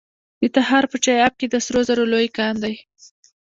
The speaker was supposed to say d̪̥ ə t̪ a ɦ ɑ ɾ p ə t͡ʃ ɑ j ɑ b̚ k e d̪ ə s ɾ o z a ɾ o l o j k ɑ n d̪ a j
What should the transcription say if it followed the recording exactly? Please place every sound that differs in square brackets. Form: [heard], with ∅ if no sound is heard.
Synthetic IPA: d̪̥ ə t̪ a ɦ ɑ ɾ p ə t͡ʃ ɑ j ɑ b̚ k e d̪ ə s ɾ o z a ɾ o l o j k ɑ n d̪ a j